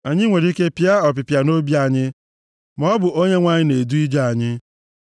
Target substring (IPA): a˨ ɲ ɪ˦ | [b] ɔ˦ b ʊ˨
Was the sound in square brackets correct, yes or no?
no